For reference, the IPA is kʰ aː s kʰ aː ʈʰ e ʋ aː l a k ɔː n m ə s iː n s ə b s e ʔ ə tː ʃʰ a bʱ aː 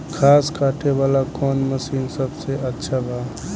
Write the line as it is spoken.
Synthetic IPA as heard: kʰ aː s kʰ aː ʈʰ e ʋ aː l a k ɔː n m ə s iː n s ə b s e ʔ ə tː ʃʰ a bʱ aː

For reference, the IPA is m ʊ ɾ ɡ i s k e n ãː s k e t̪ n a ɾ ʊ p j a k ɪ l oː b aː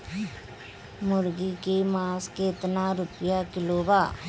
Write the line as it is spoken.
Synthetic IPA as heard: m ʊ ɾ ɡ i k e m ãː s k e t̪ n a ɾ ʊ p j a k ɪ l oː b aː

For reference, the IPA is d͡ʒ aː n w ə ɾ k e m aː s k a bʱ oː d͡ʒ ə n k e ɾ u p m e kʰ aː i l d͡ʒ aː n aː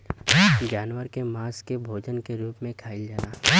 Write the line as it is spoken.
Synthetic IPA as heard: d͡ʒ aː n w ə ɾ k e m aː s k e bʱ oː d͡ʒ ə n k e ɾ uː p m ẽ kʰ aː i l d͡ʒ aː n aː

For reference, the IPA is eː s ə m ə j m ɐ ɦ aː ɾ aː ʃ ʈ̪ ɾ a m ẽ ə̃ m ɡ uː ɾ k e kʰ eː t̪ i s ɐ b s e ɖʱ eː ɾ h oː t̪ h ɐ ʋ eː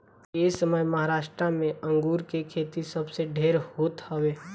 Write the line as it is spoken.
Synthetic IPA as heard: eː s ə m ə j m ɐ ɦ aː ɾ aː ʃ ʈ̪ ɾ a m ẽ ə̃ ŋ ɡ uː ɾ k e kʰ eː t̪ i s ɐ b s e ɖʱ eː ɾ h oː t̪ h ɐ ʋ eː

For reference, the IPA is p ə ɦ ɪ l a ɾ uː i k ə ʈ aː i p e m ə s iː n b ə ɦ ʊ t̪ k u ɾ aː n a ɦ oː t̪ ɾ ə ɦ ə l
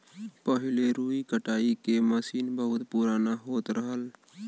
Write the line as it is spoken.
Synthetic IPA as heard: p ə ɦ ɪ l e ɾ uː i k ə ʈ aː i k e m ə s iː n b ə ɦ ʊ t̪ p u ɾ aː n a ɦ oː t̪ ɾ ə ɦ ə l

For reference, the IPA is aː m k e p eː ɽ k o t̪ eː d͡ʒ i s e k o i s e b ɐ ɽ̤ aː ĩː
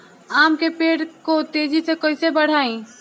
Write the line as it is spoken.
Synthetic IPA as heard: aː m k e p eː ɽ k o t̪ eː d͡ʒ i s e k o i s e b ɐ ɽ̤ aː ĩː

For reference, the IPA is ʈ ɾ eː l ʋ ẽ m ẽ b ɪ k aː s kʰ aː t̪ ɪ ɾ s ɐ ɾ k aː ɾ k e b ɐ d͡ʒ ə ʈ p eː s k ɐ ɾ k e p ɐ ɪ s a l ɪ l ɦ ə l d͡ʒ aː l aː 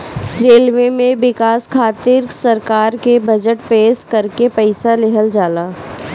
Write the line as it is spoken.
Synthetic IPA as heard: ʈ ɾ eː l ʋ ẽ m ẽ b ɪ k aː s kʰ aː t̪ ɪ ɾ s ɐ ɾ k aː ɾ k e b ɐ d͡ʒ ə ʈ p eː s k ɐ ɾ k e p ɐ ɪ s a l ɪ ɦ ə l d͡ʒ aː l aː

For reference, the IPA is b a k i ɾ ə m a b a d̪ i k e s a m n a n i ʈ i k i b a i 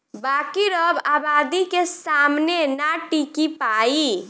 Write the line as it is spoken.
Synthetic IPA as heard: b a k i ɾ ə b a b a d̪ i k e s a m n e n a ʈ i k i p a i

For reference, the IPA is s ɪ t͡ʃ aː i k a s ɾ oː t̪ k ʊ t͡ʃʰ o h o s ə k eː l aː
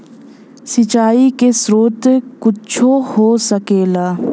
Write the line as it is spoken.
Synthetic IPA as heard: s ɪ t͡ʃ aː i k e s ɾ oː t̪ k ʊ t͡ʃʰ o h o s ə k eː l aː

